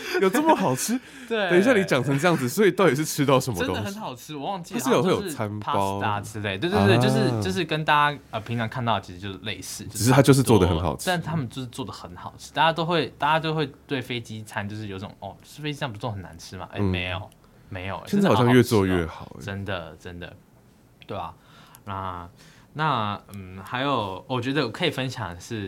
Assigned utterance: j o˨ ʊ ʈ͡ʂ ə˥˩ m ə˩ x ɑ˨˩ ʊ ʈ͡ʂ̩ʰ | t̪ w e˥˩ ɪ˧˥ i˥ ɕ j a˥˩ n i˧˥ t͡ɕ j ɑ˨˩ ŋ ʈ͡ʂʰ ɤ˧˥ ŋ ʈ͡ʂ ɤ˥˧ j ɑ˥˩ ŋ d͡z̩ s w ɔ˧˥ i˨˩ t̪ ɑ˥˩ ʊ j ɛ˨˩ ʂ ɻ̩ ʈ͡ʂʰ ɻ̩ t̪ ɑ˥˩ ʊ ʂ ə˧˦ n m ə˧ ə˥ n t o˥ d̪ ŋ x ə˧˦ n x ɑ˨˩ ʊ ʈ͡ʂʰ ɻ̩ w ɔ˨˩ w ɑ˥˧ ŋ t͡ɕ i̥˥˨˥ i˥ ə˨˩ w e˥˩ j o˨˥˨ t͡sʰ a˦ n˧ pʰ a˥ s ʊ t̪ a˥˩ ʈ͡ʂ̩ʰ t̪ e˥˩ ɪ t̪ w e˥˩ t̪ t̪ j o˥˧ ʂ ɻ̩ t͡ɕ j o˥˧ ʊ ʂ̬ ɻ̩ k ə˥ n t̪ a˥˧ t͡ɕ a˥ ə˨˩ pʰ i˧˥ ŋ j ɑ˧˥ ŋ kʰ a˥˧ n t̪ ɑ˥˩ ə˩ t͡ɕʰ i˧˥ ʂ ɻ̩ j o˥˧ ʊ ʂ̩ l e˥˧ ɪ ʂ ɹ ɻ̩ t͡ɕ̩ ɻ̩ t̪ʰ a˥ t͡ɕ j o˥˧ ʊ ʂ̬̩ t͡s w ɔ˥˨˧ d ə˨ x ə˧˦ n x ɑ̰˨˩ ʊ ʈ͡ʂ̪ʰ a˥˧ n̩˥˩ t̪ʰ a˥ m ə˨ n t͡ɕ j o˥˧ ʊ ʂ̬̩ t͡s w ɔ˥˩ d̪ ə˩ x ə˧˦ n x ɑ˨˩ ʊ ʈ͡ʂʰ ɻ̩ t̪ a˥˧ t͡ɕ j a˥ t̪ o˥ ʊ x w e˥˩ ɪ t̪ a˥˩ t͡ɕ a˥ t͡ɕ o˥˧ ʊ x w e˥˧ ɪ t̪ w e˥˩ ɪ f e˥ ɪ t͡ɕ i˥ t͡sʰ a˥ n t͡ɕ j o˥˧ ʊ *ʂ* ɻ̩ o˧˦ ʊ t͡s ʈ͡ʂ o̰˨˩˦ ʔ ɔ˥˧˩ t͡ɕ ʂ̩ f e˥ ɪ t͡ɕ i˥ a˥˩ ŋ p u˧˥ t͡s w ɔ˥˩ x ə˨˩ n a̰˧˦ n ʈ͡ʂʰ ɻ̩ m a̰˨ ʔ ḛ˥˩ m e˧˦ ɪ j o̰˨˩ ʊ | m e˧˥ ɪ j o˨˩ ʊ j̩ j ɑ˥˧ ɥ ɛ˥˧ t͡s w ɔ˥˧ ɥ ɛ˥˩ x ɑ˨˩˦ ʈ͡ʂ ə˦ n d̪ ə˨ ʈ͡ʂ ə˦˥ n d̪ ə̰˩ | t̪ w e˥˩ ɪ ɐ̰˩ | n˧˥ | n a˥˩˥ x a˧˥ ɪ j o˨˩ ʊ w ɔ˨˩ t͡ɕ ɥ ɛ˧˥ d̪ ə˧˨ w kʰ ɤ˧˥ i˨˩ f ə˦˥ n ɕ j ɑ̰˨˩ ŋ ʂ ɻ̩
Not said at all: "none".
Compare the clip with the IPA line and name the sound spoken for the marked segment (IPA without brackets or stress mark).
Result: ʂ